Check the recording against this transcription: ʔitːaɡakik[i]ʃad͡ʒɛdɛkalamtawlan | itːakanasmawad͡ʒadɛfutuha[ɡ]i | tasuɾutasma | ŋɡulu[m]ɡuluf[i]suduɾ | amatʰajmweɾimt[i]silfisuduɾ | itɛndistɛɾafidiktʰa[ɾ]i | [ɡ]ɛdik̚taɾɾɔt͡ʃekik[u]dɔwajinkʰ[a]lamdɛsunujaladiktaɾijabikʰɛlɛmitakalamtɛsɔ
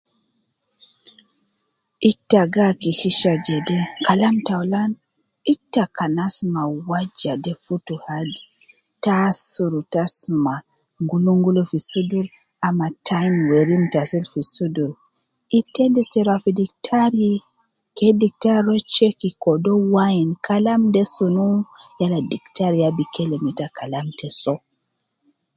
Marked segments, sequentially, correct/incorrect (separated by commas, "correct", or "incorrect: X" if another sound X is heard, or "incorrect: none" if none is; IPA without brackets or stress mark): correct, incorrect: d, incorrect: ŋ, correct, incorrect: a, correct, incorrect: k, incorrect: ɔ, correct